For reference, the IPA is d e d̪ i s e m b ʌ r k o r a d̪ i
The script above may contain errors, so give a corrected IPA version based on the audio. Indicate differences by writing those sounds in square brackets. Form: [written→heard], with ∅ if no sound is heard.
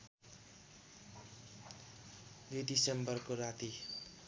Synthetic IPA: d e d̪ i s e m b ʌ r k o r a [d̪→t̪] i